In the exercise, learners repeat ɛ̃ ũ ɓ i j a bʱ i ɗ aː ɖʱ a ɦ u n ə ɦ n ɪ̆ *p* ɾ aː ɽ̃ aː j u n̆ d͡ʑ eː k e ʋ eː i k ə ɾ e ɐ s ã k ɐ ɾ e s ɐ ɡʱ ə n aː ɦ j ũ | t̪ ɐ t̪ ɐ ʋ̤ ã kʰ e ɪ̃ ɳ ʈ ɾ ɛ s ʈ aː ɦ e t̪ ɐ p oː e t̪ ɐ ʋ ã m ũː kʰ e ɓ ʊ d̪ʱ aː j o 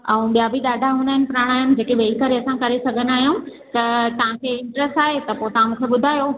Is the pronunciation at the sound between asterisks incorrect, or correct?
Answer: correct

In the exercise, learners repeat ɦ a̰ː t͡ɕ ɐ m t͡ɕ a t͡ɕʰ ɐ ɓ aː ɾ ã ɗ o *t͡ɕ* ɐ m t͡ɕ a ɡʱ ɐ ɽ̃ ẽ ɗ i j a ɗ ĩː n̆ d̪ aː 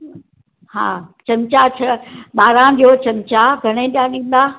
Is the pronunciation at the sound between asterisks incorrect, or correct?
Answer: correct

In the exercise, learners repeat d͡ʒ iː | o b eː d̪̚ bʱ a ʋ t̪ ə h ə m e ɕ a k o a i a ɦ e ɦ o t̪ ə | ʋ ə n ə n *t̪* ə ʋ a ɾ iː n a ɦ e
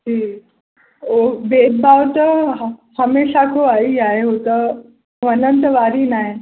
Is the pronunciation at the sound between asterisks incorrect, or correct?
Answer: correct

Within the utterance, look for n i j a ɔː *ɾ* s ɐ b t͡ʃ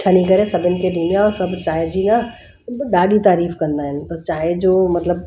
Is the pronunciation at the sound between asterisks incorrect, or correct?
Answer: correct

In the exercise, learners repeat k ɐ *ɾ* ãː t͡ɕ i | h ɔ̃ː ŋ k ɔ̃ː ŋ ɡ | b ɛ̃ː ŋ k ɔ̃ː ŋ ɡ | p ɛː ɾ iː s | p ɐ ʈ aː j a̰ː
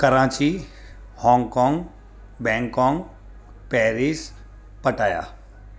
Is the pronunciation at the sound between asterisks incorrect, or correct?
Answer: correct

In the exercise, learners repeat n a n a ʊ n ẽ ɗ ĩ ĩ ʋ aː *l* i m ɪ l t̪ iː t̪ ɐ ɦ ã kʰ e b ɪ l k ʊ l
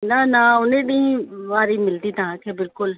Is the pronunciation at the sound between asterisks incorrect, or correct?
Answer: incorrect: ɾ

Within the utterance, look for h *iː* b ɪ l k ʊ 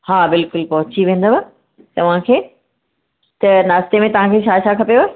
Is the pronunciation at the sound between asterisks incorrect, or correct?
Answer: incorrect: aː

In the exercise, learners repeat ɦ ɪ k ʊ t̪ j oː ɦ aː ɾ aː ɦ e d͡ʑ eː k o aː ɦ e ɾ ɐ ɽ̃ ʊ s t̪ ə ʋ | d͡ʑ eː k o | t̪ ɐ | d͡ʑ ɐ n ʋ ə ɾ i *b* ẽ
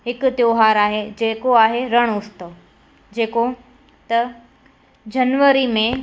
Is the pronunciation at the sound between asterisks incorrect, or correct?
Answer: incorrect: m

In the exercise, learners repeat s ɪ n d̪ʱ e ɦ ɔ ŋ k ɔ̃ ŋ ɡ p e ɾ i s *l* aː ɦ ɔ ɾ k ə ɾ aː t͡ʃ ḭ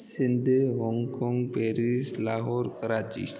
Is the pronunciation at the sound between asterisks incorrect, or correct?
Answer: correct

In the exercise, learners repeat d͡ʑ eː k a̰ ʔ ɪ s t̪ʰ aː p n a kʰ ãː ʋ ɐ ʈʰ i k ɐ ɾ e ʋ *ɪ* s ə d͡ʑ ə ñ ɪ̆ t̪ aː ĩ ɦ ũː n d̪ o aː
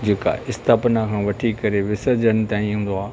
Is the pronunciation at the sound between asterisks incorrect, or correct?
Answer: correct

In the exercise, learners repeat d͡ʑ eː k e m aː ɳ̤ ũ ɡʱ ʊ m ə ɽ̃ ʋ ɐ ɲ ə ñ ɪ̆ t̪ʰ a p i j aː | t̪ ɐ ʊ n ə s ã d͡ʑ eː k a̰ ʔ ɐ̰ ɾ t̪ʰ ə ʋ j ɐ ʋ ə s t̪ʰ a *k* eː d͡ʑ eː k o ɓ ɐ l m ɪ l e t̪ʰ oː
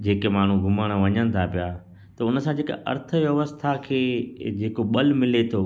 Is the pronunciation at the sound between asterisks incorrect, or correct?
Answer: incorrect: kʰ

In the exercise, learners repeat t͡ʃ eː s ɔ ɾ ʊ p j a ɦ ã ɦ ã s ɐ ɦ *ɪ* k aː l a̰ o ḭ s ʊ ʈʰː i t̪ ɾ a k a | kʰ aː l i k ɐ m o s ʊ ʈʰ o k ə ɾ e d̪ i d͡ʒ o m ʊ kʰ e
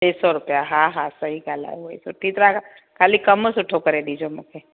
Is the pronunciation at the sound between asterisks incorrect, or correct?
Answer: incorrect: i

